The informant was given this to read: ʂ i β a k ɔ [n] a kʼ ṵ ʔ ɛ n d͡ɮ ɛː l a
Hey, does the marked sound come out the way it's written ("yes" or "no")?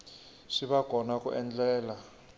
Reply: yes